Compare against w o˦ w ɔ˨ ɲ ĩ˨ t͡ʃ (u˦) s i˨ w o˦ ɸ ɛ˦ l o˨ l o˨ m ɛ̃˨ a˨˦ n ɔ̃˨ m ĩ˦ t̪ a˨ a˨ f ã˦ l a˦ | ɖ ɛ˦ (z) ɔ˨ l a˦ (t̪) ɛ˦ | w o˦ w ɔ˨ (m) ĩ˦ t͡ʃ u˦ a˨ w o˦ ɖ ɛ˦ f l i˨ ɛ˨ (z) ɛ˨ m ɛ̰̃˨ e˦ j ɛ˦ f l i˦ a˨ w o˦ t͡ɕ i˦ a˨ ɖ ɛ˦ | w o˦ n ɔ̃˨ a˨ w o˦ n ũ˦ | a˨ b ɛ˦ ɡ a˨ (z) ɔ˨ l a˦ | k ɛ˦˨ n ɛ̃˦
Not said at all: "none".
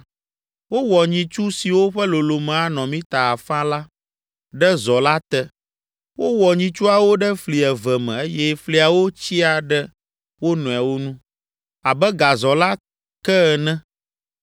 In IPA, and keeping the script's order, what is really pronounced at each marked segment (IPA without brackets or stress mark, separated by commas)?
u˦, z, t̪, ɲ, v, z